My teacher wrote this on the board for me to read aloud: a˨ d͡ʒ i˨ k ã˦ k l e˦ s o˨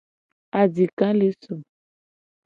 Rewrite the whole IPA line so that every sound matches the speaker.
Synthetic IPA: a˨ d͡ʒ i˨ k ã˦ l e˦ s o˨